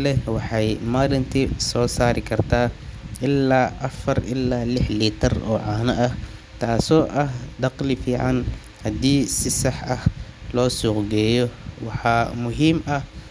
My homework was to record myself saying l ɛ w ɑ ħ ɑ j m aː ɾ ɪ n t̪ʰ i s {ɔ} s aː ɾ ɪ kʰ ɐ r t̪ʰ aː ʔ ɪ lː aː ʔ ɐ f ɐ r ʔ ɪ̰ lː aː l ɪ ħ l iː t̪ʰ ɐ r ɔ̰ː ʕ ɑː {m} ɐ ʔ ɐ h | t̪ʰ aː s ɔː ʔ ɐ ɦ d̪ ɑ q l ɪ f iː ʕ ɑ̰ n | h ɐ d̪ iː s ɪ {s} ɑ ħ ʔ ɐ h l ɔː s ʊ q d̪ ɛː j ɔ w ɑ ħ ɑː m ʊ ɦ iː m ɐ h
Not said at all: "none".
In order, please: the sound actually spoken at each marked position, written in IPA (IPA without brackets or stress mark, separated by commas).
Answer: ɔː, n, s